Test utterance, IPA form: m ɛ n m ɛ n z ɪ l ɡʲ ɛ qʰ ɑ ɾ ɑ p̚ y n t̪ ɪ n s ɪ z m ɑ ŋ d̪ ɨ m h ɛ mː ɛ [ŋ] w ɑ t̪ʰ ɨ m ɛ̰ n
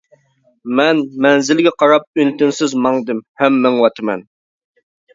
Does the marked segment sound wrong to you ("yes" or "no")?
no